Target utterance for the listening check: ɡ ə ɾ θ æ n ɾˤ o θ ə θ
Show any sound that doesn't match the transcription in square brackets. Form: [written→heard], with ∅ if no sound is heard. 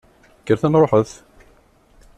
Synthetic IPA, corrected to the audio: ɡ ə ɾ θ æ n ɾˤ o [θ→ħ] ə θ